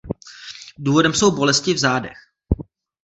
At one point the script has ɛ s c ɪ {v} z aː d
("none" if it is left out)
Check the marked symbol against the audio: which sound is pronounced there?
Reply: v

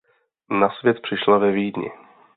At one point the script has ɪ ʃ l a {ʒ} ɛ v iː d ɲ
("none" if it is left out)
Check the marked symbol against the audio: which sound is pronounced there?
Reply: v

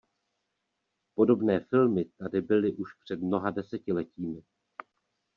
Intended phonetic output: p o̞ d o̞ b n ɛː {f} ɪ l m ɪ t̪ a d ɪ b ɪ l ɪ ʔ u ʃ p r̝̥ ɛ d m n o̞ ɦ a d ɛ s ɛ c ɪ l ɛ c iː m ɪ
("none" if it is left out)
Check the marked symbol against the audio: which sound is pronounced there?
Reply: f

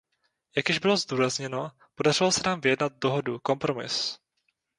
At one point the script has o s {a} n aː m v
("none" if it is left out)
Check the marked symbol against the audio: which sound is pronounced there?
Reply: ɛ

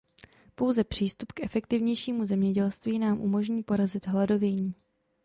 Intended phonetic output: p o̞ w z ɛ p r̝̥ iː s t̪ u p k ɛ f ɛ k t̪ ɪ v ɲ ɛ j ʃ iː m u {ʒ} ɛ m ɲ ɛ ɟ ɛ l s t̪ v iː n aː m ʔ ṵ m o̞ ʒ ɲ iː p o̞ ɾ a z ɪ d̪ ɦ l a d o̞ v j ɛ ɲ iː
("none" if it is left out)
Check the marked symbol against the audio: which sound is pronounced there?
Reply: z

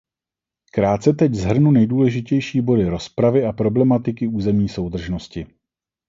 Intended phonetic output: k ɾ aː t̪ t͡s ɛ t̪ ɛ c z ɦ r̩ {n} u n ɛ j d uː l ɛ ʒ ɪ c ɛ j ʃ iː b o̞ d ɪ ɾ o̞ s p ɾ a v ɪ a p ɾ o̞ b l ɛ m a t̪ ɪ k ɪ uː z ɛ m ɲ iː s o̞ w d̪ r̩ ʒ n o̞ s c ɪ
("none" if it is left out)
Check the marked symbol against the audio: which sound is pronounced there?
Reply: n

